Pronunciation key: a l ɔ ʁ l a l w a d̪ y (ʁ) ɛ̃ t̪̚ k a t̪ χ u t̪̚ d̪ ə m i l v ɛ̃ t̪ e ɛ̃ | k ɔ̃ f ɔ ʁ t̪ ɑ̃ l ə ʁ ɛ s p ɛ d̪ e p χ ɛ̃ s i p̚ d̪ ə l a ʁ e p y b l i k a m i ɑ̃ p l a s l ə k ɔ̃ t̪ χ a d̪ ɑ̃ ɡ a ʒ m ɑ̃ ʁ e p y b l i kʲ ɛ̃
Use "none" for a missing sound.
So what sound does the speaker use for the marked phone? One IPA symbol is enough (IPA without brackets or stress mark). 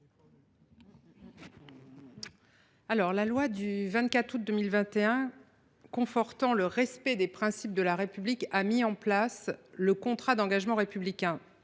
v